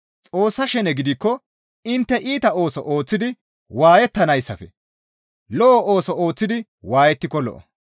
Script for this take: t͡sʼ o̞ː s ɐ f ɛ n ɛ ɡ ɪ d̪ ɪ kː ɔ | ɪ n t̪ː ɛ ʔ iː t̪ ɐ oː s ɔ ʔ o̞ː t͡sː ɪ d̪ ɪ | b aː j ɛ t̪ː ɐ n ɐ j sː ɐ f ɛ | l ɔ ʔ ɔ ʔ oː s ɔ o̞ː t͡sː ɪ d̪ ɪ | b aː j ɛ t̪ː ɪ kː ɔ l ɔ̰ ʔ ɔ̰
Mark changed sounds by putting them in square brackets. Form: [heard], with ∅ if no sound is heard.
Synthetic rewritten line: t͡sʼ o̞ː [sː] ɐ [ʃ] ɛ n ɛ ɡ ɪ d̪ ɪ kː ɔ | ɪ n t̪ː ɛ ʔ iː t̪ ɐ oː s ɔ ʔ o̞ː t͡sː ɪ d̪ ɪ | [w] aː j ɛ t̪ː ɐ n ɐ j sː ɐ f ɛ | l ɔ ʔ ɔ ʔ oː s ɔ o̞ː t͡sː ɪ d̪ ɪ | [w] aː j ɛ t̪ː ɪ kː ɔ l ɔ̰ ʔ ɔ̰